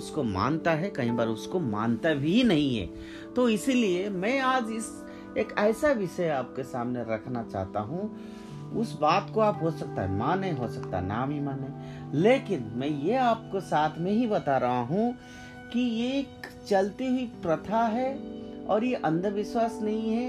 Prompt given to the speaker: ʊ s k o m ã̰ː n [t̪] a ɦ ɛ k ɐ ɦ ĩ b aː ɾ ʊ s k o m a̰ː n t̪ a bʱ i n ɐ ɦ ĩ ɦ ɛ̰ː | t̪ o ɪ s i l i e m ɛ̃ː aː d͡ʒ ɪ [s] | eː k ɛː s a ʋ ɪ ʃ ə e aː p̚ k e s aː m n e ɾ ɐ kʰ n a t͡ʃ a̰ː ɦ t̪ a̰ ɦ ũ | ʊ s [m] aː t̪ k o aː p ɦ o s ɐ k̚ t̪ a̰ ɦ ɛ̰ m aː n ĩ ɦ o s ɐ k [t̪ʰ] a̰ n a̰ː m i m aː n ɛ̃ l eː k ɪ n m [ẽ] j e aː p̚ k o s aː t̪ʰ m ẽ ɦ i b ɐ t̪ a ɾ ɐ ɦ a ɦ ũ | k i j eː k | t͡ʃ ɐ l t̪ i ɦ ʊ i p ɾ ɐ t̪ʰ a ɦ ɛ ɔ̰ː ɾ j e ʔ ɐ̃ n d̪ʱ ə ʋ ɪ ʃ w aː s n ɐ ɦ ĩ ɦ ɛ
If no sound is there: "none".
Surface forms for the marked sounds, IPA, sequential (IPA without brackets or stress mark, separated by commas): t̪, s, b, t̪, ɛ̃